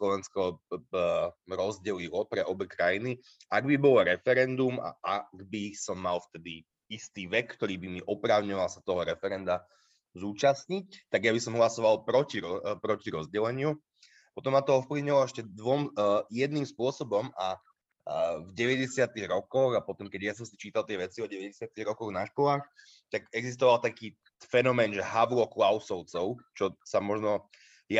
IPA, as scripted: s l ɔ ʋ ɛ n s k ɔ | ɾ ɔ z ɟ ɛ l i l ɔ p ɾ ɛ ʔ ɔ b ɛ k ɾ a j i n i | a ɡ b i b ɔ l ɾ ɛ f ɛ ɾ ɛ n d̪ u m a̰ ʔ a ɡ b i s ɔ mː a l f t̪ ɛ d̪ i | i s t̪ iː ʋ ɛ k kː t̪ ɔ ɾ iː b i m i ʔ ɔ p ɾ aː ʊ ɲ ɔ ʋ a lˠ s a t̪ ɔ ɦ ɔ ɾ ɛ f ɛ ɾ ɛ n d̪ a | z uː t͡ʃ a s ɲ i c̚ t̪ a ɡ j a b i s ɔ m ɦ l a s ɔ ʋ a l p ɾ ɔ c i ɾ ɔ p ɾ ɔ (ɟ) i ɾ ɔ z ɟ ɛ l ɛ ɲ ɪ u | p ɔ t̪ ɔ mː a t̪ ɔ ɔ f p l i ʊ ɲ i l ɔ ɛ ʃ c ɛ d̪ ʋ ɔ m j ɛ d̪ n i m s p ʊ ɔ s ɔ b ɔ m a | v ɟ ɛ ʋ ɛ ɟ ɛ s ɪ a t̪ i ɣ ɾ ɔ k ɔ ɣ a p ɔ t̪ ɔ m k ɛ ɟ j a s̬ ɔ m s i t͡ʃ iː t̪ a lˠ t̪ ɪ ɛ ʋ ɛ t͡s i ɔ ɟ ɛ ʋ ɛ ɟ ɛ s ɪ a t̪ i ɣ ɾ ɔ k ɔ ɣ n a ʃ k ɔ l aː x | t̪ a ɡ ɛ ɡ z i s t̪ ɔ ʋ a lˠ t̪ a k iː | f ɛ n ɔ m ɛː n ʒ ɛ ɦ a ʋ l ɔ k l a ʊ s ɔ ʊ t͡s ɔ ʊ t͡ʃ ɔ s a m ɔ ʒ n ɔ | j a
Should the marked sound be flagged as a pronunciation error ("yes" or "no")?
yes